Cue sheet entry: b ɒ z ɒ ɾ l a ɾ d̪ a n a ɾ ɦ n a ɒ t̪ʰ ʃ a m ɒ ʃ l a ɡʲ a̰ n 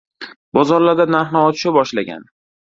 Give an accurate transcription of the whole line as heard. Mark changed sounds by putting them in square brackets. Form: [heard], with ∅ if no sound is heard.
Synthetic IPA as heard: b ɒ z ɒ ɾ l a ɾ d̪ a n a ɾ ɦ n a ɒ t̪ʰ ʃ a [b] ɒ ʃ l a ɡʲ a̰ n